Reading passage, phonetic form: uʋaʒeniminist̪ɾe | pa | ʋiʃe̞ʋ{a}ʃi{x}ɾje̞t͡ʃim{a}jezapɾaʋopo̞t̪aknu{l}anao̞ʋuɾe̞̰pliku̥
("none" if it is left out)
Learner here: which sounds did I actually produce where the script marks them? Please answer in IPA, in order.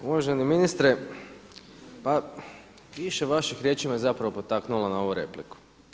a, x, a, l

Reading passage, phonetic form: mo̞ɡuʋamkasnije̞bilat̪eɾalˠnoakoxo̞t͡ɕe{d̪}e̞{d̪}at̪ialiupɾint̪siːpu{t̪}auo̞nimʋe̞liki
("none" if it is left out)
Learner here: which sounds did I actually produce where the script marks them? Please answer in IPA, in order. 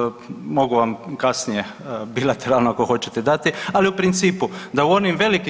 t̪, d̪, d̪

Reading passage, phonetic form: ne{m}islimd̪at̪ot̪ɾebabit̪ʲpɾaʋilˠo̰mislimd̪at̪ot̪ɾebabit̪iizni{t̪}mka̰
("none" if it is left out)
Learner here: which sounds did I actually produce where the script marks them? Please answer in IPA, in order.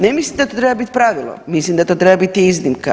m, none

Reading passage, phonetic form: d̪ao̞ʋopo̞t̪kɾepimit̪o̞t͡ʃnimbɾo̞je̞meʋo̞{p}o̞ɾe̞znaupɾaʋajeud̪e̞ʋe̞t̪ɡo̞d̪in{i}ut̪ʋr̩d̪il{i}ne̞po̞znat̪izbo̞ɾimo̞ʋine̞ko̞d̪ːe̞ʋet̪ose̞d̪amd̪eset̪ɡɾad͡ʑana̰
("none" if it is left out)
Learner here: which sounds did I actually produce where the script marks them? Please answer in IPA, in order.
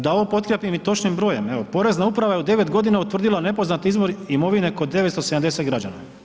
p, a, a

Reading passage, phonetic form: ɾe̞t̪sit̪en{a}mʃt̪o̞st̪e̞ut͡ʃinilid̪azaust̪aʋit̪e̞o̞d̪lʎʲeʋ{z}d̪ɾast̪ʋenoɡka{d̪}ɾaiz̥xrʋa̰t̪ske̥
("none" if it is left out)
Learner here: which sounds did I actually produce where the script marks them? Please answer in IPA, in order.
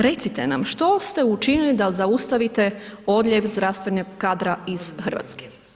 a, z, d̪

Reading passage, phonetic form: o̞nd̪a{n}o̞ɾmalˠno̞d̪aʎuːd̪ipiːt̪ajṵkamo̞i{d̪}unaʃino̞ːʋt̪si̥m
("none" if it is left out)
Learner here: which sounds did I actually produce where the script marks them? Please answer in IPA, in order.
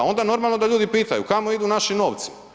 n, d̪

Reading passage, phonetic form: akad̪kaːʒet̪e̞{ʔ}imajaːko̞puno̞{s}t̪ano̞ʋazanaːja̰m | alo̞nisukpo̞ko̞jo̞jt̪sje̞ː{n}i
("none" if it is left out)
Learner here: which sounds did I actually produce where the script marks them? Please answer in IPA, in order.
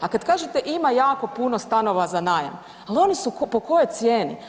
ʔ, s, n

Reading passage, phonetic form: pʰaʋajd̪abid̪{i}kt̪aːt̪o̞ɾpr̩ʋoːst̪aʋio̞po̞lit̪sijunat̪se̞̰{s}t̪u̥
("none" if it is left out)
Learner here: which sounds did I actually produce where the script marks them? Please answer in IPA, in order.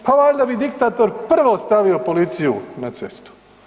i, s

